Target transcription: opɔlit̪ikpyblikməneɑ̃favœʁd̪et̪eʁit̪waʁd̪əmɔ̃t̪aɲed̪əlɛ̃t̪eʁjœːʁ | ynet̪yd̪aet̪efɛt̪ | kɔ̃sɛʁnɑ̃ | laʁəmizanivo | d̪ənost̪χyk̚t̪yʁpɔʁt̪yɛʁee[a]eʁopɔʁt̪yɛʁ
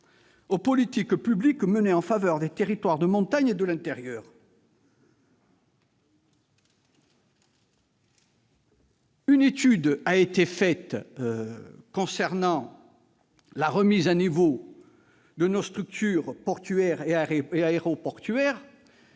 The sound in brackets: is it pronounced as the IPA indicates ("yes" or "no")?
yes